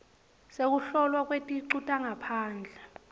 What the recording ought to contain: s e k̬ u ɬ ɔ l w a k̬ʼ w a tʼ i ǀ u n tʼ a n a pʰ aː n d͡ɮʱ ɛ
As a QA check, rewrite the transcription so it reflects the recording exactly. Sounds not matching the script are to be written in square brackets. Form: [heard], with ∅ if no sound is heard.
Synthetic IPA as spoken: s e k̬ u ɬ ɔ l w a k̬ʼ w [e] tʼ i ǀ u [∅] tʼ a [ŋ] a pʰ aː n d͡ɮʱ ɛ